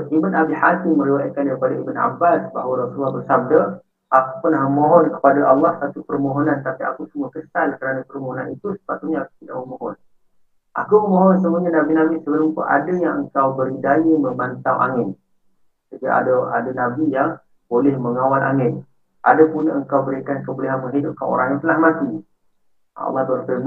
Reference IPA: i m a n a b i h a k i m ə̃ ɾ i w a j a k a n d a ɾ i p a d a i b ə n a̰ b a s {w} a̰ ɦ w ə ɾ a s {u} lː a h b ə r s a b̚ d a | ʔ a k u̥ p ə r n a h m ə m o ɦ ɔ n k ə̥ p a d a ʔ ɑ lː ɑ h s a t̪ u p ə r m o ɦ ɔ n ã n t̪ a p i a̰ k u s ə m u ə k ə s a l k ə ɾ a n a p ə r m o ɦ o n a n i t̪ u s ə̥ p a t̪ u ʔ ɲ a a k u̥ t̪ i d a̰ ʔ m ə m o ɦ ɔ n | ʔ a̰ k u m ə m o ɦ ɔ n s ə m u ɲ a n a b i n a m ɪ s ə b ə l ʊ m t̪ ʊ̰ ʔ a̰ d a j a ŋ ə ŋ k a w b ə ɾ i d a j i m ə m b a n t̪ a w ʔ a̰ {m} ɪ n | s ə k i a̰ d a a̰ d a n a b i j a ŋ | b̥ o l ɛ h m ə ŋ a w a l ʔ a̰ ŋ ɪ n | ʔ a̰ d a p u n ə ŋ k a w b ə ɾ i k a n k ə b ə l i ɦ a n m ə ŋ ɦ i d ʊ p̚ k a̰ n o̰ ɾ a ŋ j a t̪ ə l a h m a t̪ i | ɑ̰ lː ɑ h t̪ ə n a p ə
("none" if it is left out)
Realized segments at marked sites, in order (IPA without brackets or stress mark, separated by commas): b, u, ŋ